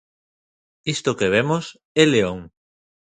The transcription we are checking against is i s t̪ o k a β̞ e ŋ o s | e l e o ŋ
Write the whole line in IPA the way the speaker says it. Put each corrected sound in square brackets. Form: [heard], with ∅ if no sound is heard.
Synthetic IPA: i s t̪ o k [e] β̞ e [m] o s | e l e o ŋ